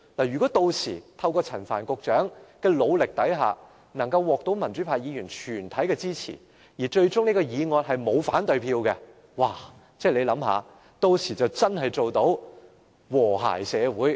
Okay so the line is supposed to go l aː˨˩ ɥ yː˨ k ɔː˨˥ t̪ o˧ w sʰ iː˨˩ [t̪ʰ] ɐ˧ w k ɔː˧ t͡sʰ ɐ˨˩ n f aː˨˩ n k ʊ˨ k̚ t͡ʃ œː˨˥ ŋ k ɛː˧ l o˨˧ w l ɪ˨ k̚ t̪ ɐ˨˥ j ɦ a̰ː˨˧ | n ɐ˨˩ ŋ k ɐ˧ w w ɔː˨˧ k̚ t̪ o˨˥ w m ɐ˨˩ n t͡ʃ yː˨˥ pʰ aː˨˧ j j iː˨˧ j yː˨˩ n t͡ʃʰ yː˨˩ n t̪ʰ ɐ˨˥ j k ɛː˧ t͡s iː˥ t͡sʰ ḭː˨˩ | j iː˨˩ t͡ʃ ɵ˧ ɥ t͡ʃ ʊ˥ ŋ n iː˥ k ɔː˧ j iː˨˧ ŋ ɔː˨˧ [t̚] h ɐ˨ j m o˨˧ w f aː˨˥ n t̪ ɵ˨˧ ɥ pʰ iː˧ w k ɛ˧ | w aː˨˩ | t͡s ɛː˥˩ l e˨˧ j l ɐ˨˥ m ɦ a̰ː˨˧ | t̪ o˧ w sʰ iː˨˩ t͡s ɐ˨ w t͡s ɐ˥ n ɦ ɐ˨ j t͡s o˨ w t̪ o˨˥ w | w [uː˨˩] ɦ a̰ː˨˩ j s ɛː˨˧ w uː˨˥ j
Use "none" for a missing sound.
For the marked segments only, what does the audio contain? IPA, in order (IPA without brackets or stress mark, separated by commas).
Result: t̪ʰ, t̚, ɔː˨˩